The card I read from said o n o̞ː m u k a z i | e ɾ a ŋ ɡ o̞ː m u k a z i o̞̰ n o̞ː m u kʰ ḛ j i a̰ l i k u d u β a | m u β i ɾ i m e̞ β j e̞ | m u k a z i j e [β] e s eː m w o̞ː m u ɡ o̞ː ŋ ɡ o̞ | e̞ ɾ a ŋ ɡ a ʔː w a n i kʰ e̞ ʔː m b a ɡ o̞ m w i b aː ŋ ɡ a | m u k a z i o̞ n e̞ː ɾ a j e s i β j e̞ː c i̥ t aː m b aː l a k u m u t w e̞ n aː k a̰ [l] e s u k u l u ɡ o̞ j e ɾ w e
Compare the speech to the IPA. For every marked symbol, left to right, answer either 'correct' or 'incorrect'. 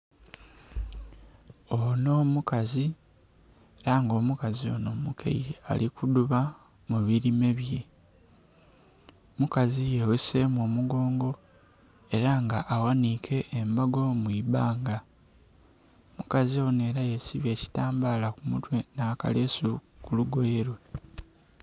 incorrect, correct

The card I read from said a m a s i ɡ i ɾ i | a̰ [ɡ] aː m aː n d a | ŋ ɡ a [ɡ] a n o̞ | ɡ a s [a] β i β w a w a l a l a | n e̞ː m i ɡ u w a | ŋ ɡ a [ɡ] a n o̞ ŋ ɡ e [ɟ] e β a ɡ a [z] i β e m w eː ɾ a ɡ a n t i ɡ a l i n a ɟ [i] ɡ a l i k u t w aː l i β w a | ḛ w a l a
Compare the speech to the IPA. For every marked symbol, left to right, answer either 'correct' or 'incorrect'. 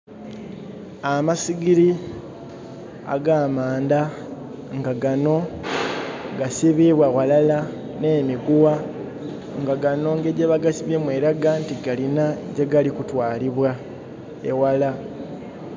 correct, correct, incorrect, correct, correct, incorrect, incorrect

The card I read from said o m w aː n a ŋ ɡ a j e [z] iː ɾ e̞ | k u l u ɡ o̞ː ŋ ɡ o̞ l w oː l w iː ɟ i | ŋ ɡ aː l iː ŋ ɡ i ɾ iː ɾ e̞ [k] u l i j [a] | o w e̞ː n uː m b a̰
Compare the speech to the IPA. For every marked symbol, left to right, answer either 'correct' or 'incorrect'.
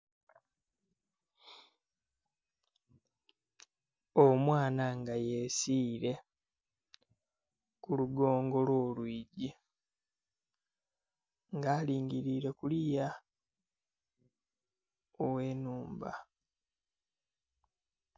incorrect, correct, correct

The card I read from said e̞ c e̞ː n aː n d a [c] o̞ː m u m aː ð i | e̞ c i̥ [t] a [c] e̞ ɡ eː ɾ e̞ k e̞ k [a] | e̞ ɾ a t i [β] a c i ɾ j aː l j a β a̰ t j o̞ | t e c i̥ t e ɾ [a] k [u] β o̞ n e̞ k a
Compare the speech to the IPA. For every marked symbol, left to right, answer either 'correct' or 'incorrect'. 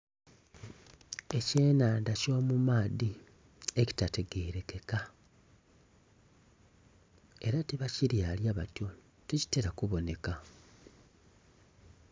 correct, correct, incorrect, correct, correct, correct, correct

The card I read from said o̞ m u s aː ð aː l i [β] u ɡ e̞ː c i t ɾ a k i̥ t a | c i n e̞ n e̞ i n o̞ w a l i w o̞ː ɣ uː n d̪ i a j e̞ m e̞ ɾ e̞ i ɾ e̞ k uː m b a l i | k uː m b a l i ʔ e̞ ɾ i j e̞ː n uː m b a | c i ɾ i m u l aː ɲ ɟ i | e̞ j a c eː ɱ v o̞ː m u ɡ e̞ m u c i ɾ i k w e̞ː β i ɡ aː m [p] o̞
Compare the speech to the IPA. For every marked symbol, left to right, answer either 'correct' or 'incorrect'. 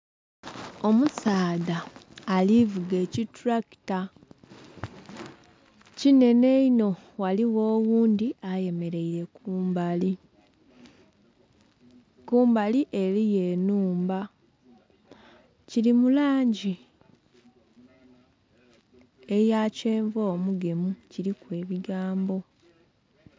incorrect, incorrect

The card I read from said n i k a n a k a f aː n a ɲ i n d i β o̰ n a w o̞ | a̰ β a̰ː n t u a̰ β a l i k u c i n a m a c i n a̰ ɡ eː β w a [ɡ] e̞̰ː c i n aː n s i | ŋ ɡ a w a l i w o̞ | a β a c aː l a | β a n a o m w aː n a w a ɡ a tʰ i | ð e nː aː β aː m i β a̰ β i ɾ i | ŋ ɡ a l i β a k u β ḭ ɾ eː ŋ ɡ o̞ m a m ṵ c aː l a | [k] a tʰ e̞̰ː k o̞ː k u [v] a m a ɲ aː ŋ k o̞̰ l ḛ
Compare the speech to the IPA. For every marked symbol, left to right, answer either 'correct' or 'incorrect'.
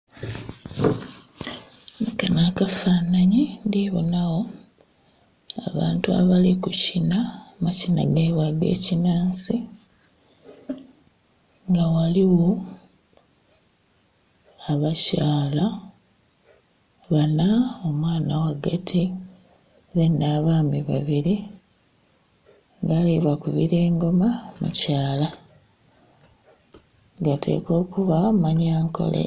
correct, incorrect, incorrect

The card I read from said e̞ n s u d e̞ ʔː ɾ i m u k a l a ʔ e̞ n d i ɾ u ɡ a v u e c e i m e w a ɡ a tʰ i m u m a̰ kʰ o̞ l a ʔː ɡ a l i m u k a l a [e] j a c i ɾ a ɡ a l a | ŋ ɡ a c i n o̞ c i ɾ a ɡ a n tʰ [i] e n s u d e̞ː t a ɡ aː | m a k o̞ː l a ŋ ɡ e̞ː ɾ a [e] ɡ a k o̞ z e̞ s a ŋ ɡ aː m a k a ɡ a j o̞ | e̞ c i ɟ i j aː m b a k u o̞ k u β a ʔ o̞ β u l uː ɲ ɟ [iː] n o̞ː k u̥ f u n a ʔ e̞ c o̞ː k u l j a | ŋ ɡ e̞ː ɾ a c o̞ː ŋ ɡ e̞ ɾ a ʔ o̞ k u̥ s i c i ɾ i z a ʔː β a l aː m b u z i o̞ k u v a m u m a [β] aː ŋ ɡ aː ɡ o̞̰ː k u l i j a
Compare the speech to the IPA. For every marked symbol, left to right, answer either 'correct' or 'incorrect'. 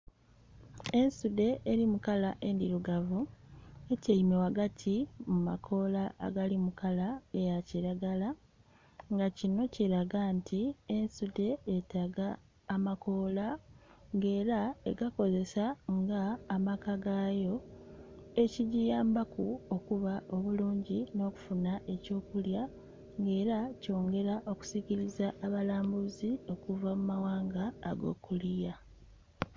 correct, correct, correct, incorrect, incorrect

